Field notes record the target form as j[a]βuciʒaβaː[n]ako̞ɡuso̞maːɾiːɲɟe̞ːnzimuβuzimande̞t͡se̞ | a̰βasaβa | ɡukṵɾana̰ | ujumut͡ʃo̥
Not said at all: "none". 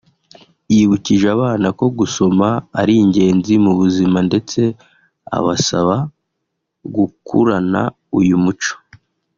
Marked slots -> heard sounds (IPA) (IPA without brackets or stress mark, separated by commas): i, n